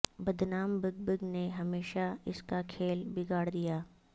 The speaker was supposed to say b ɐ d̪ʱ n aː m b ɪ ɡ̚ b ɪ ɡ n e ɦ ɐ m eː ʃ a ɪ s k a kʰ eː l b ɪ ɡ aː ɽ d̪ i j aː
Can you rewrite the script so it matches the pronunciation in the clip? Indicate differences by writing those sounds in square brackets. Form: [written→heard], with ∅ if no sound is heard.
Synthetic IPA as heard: b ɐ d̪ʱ n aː m b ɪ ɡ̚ b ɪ ɡ n e ɦ ɐ m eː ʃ a ɪ s k a kʰ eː l b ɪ ɡ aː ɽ d̪ i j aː